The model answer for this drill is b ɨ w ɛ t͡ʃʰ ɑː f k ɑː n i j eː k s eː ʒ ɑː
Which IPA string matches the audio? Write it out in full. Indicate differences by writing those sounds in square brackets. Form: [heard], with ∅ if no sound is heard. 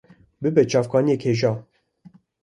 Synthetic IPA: b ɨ [b] ɛ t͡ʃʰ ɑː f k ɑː n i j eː k [h] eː ʒ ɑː